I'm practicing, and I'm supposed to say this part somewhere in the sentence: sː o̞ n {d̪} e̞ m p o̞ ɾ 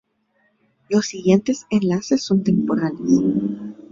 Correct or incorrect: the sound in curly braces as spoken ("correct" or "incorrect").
incorrect